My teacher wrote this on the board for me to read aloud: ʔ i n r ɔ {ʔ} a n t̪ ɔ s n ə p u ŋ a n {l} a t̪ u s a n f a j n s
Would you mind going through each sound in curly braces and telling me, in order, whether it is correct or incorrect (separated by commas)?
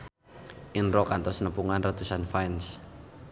incorrect, incorrect